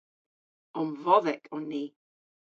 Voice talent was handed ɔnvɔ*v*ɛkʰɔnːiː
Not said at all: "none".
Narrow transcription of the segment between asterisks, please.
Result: ð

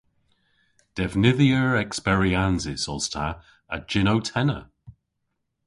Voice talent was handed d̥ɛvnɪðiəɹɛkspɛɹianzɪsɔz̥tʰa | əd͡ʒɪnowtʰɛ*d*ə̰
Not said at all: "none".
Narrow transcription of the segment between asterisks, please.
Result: n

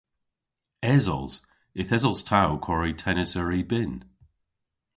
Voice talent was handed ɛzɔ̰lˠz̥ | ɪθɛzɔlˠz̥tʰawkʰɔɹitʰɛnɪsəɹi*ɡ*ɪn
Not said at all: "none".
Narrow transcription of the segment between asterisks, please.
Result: b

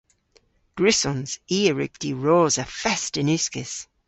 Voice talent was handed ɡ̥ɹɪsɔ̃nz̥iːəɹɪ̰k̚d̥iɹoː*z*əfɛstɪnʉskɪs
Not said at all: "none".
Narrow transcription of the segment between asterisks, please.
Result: z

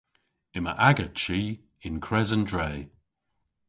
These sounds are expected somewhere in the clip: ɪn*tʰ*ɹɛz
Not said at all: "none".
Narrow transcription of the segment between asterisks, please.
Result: kʰ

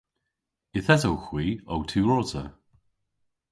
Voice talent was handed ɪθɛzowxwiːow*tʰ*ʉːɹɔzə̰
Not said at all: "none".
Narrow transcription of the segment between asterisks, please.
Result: tʰ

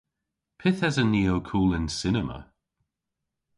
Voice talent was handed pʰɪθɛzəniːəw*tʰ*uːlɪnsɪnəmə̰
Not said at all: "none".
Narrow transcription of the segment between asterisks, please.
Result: kʰ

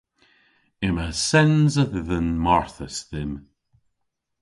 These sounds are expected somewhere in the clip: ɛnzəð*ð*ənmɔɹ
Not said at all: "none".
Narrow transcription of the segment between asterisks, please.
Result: ð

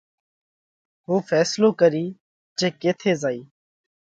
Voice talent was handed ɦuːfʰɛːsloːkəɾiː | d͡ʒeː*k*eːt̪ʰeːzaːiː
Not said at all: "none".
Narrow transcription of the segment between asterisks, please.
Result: k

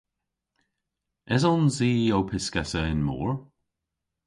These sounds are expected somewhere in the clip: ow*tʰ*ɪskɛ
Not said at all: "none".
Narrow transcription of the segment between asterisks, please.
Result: pʰ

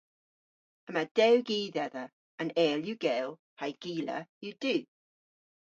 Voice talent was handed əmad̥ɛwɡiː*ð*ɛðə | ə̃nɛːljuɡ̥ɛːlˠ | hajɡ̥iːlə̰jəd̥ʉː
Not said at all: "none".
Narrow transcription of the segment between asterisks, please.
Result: ð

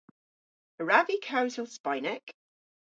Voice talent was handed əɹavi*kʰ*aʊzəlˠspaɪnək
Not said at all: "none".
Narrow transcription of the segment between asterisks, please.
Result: kʰ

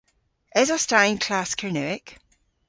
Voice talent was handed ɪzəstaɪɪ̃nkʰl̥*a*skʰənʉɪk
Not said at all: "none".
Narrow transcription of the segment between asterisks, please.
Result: a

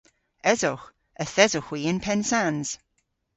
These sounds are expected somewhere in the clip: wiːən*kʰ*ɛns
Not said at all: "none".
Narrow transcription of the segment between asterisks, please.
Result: pʰ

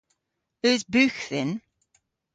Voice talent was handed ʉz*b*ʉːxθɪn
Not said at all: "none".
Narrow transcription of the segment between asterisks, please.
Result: b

